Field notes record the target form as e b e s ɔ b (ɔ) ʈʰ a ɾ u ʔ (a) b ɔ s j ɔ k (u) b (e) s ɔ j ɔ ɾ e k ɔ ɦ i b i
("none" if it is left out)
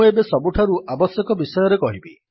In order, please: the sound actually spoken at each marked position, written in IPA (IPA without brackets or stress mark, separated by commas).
u, a, ɔ, i